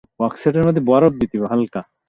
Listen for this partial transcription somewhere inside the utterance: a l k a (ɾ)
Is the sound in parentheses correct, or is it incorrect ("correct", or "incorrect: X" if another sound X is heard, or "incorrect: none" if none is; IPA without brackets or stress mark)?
incorrect: none